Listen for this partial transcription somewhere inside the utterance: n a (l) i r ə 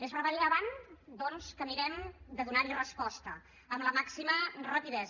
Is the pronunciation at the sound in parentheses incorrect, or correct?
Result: incorrect